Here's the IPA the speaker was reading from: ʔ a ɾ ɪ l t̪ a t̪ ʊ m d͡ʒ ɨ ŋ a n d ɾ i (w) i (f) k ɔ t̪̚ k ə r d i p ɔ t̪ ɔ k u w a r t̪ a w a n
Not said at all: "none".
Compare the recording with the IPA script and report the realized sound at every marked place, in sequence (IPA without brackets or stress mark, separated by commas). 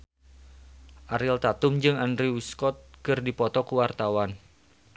w, s